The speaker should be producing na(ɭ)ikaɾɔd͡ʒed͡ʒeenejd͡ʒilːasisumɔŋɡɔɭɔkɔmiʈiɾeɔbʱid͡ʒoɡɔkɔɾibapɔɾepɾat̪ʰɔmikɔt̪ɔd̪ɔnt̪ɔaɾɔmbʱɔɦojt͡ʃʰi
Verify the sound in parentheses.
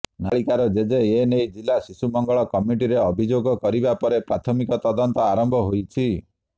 correct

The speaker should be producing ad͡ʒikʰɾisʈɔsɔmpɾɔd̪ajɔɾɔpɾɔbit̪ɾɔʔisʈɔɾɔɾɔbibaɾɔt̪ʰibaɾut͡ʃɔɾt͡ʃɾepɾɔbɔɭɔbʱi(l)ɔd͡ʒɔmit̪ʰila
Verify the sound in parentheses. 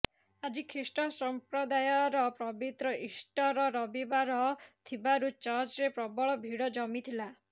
incorrect: ɽ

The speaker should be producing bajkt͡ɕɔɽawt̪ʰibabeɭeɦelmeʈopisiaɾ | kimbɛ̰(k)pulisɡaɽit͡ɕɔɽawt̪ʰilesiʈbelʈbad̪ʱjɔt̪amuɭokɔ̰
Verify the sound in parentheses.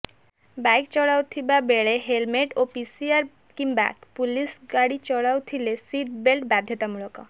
correct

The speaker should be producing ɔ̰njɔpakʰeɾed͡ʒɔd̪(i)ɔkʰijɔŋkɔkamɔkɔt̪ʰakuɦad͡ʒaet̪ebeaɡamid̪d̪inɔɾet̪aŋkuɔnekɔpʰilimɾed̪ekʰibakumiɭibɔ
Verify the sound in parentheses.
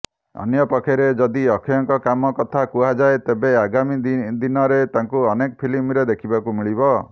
correct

